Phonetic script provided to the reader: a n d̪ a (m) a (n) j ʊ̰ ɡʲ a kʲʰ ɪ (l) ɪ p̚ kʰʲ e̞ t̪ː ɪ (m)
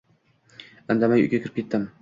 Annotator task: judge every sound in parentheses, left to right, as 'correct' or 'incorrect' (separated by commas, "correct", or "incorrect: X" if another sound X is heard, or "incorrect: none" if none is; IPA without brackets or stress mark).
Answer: correct, incorrect: none, incorrect: ɾ, correct